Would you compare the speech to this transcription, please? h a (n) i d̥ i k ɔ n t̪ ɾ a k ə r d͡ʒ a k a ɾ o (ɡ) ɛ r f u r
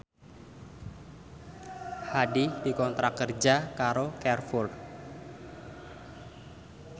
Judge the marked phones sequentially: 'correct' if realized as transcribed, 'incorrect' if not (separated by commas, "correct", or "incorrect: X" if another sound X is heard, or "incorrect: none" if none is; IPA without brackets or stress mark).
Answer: incorrect: d, incorrect: k